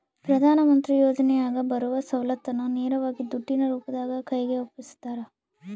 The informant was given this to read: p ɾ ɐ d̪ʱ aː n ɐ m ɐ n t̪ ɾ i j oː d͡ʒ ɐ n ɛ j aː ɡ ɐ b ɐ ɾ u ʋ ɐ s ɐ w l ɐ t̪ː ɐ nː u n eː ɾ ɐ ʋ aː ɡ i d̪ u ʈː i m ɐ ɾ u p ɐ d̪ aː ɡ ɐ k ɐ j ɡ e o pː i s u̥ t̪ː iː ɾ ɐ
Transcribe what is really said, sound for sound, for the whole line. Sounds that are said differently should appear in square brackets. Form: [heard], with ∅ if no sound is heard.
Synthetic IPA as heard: p ɾ ɐ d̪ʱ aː n ɐ m ɐ n t̪ ɾ i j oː d͡ʒ ɐ n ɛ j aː ɡ ɐ b ɐ ɾ u ʋ ɐ s ɐ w l ɐ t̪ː ɐ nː u n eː ɾ ɐ ʋ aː ɡ i d̪ u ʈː i [n] ɐ ɾ [uː] p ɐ d̪ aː ɡ ɐ k ɐ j ɡ e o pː i s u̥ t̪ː [aː] ɾ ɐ